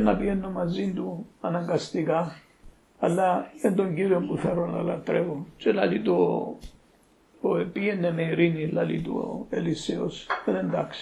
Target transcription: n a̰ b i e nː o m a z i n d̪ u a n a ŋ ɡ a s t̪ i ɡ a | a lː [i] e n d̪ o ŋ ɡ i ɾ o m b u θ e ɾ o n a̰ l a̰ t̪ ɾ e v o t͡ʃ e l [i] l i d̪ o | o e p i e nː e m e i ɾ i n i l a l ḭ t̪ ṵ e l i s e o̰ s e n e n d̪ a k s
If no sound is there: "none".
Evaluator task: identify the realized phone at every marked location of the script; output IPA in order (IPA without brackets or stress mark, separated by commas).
a, a